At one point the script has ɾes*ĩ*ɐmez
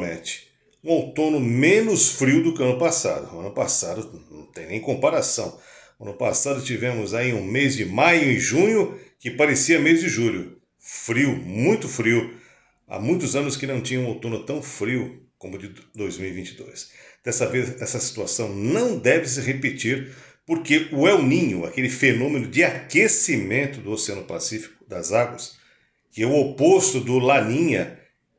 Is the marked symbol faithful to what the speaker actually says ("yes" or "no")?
no